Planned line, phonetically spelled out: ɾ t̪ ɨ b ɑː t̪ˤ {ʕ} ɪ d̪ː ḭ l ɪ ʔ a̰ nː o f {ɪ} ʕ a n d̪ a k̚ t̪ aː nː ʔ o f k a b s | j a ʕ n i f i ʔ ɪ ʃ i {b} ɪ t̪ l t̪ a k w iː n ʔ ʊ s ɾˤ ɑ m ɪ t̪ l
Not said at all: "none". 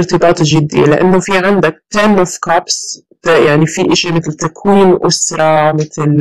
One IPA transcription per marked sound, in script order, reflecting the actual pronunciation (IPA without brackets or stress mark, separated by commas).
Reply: ʒ, i, m